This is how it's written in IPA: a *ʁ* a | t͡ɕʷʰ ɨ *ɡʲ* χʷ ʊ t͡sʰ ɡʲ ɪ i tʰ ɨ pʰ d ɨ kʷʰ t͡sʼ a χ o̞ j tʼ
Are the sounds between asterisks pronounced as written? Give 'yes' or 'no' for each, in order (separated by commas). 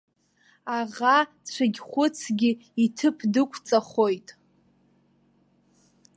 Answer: yes, yes